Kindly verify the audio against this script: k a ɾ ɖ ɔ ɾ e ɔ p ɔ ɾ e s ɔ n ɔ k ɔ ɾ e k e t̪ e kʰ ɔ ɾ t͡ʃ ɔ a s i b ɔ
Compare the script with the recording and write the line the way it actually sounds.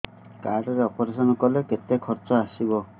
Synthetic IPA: k a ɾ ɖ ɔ ɾ e ɔ p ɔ ɾ e s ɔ n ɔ k ɔ l e k e t̪ e kʰ ɔ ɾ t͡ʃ ɔ a s i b ɔ